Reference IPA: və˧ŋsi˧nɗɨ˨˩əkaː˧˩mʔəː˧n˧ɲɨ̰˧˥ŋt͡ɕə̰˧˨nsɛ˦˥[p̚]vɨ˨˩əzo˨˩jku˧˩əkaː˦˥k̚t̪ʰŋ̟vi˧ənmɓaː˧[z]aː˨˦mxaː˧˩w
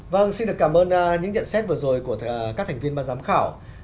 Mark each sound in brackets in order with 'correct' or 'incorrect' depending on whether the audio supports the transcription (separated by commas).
incorrect, correct